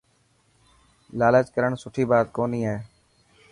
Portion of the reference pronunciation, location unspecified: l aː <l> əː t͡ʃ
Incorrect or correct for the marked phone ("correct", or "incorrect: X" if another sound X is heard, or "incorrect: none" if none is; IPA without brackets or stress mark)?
correct